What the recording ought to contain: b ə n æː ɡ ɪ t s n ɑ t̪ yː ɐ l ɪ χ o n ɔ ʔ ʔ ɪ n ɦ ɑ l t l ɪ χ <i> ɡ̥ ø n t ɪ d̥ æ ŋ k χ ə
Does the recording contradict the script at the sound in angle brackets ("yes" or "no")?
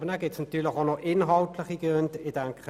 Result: no